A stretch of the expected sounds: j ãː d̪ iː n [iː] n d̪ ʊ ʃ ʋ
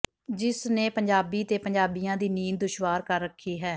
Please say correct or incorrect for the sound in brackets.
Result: correct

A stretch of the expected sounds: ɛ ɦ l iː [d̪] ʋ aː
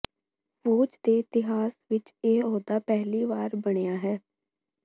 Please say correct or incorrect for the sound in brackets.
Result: incorrect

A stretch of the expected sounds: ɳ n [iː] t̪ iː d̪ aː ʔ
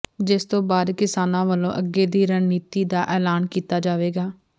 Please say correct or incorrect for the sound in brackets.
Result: correct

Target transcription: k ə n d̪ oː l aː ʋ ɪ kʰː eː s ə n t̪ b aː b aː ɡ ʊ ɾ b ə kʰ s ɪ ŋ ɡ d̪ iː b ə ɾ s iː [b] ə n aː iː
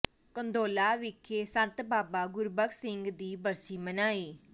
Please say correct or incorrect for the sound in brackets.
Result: incorrect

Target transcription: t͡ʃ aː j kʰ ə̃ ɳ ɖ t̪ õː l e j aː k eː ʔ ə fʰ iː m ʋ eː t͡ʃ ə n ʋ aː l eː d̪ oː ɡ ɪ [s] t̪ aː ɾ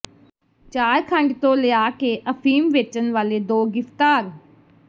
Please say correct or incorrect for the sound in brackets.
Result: incorrect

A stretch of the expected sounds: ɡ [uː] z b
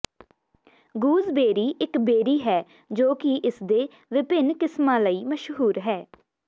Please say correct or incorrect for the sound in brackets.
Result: correct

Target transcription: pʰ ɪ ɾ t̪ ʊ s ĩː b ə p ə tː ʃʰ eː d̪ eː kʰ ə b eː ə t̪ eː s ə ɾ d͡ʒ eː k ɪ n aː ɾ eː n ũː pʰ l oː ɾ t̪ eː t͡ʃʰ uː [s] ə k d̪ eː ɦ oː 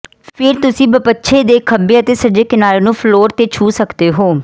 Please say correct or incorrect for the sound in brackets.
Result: correct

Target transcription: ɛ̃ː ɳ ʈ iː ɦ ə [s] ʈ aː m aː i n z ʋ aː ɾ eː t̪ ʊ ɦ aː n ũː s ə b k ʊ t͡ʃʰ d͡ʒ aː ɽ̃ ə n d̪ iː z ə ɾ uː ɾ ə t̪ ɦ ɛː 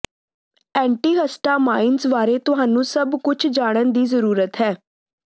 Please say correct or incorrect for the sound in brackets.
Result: correct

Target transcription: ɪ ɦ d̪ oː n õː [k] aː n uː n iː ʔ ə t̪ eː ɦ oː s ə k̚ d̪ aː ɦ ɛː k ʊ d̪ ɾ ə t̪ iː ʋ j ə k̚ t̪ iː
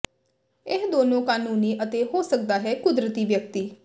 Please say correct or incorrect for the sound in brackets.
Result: correct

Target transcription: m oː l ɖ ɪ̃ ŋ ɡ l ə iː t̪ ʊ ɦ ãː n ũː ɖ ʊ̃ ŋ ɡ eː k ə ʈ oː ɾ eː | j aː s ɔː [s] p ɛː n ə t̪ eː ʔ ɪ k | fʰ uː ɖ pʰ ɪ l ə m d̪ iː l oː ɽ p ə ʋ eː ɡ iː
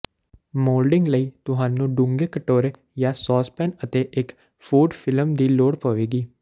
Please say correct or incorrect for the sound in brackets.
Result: correct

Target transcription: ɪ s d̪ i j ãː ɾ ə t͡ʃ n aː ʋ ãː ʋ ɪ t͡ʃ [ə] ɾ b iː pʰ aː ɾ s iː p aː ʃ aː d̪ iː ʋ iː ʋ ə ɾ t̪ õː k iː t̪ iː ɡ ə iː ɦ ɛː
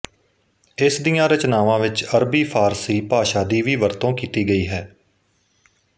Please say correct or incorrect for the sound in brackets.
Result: correct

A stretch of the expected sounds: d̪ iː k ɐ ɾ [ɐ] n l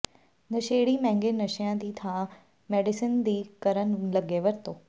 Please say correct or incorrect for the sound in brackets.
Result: incorrect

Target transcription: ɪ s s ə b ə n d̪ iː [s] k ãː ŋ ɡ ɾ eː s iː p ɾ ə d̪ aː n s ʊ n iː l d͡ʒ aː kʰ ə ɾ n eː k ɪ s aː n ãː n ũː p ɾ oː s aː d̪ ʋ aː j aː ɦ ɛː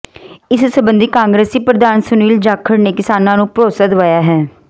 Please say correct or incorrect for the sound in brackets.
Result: incorrect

